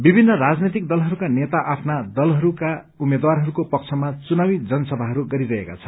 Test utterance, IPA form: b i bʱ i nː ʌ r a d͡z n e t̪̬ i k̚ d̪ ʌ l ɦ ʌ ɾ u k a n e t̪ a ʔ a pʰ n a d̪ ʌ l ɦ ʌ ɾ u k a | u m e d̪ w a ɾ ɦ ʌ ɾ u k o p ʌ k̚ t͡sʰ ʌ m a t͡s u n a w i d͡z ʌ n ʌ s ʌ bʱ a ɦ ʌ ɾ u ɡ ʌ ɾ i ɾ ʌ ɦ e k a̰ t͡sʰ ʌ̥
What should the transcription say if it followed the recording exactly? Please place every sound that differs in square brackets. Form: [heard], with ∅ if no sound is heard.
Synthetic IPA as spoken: b i bʱ i nː ʌ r a d͡z n e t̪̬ i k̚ d̪ ʌ l ɦ ʌ ɾ u k a n e t̪ a ʔ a pʰ n a d̪ ʌ l ɦ ʌ ɾ u k a | u m e d̪ w a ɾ ɦ ʌ ɾ u k o p ʌ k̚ t͡sʰ ʌ m a t͡s u n a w i d͡z ʌ n ʌ s ʌ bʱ a ɦ ʌ ɾ u ɡ ʌ ɾ i ɾ ʌ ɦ e k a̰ t͡sʰ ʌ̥

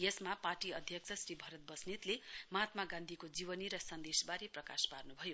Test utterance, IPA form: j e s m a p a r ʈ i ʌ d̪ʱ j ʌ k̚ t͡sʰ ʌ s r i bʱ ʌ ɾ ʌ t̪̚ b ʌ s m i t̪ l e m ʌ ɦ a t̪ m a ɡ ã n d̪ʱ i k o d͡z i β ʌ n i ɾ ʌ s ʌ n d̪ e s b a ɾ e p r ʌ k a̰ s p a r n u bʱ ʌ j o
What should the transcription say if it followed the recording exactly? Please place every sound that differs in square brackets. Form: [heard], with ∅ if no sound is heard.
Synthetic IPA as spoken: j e s m a p a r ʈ i ʌ d̪ʱ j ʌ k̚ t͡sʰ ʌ s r i bʱ ʌ ɾ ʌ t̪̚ b ʌ s [n] i t̪ l e m ʌ ɦ a t̪ m a ɡ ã n d̪ʱ i k o d͡z i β ʌ n i ɾ ʌ s ʌ n d̪ e s b a ɾ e p r ʌ k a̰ s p a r n u bʱ ʌ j o

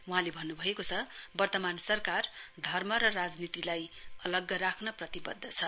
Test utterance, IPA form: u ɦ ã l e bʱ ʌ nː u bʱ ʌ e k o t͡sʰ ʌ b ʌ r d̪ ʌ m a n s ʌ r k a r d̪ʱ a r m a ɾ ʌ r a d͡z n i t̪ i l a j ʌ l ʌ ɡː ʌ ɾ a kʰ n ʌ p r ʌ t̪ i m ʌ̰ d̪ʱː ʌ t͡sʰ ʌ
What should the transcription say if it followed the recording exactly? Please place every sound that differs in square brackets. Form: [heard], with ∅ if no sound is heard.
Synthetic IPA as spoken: u ɦ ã l e bʱ ʌ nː u bʱ ʌ e k o t͡sʰ ʌ b ʌ r [t̪] ʌ m a n s ʌ r k a r d̪ʱ [ʌ] r m [ʌ] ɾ ʌ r a d͡z n i t̪ i l a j ʌ l ʌ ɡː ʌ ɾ a kʰ n ʌ p r ʌ t̪ i [b] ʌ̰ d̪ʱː ʌ t͡sʰ ʌ

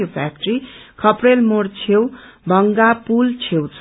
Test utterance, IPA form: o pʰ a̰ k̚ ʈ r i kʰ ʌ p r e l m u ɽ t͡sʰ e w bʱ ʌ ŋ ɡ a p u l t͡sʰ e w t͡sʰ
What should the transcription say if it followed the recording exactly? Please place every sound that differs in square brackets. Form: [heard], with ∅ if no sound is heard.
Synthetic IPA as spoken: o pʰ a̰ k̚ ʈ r i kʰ ʌ p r e l m [o] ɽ t͡sʰ e w bʱ ʌ ŋ ɡ a p u l t͡sʰ e w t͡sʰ

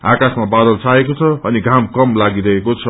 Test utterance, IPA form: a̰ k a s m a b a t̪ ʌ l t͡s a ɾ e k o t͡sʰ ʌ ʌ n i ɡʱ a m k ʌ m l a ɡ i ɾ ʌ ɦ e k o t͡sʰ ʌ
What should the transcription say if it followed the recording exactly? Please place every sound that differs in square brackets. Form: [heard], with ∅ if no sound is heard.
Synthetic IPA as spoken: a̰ k a s m a b a [d̪] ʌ l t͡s a [∅] e k o t͡sʰ ʌ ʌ n i ɡʱ a m k ʌ m l a ɡ i ɾ ʌ ɦ e k o t͡sʰ ʌ

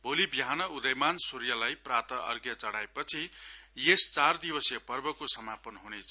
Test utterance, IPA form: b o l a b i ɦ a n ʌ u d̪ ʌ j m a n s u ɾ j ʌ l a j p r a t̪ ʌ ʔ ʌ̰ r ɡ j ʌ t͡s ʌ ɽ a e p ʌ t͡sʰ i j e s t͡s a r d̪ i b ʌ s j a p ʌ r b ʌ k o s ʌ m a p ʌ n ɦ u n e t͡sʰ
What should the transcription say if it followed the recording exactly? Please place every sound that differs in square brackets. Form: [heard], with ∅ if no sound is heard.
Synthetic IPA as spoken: b o l [i] b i ɦ a n ʌ u d̪ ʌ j m a n s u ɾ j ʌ l a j p r a t̪ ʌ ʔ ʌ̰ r ɡ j ʌ t͡s ʌ ɽ a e p ʌ t͡sʰ i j e s t͡s a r d̪ i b ʌ s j [ʌ] p ʌ r b ʌ k o s ʌ m a p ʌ n ɦ u n e t͡sʰ

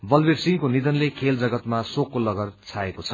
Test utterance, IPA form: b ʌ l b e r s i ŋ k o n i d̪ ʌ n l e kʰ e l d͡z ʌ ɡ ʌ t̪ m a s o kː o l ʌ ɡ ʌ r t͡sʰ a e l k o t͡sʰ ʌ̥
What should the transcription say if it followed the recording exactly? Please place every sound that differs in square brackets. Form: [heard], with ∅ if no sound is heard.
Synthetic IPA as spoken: b ʌ l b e r s i ŋ k o n i d̪ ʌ n l e kʰ e l d͡z ʌ ɡ ʌ t̪ m a s o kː o l ʌ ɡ ʌ r t͡sʰ a e [∅] k o t͡sʰ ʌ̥

